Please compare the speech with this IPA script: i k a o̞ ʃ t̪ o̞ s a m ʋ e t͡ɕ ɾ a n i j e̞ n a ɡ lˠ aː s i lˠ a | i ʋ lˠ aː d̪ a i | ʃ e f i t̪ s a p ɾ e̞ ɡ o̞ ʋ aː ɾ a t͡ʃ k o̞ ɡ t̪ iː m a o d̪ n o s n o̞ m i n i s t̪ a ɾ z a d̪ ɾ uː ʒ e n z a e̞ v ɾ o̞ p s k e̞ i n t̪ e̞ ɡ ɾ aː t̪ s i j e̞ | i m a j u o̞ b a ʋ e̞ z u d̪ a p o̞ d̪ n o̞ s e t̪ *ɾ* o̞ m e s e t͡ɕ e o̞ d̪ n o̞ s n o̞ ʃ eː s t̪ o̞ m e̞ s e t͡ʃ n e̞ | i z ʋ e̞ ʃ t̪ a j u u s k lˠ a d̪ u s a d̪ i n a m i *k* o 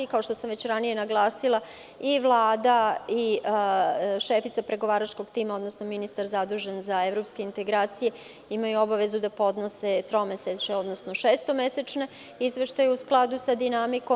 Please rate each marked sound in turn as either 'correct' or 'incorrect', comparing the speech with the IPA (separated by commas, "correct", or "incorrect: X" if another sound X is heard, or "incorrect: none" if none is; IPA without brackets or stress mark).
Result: correct, correct